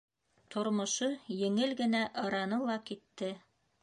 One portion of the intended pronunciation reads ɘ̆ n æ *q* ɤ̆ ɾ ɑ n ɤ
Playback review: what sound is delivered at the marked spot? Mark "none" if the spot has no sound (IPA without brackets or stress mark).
ʔ